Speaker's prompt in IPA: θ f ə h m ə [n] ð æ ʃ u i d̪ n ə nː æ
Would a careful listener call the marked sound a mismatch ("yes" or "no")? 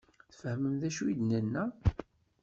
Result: yes